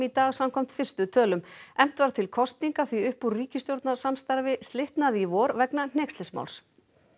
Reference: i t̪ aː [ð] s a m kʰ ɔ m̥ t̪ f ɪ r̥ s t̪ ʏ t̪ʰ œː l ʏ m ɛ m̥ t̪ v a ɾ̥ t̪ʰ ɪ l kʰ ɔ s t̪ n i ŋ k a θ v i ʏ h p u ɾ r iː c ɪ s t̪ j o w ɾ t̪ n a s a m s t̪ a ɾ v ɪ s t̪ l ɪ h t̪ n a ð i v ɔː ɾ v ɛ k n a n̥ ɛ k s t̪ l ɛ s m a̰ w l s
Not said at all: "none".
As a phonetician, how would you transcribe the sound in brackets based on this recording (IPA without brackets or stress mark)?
ɣ